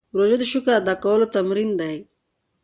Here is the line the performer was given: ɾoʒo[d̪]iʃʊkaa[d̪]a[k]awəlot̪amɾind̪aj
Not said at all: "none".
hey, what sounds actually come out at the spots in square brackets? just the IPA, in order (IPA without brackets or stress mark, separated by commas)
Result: d̪, d̪, k